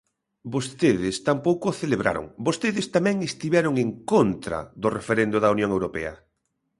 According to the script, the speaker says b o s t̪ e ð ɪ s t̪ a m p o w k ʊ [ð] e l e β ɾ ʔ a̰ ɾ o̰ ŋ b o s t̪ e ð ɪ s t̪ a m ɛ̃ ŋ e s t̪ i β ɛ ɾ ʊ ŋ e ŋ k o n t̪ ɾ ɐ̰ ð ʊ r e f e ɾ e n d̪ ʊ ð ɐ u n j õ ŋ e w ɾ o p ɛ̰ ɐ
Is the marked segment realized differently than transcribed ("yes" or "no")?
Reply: yes